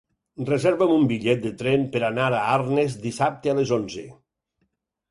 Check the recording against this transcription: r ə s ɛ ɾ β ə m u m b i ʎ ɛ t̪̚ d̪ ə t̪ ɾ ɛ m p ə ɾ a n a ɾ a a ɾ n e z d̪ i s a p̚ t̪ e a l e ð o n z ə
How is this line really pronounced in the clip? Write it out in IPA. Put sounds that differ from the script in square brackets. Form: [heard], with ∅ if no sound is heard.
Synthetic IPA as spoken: r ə [z] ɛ ɾ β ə m u m b i ʎ ɛ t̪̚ d̪ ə t̪ ɾ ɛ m p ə ɾ a n a ɾ a a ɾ n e z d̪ i s a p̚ t̪ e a l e [z] o n z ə